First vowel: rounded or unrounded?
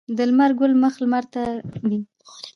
unrounded